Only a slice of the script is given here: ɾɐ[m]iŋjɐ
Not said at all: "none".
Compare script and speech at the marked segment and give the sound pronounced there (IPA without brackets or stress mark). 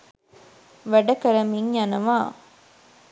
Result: m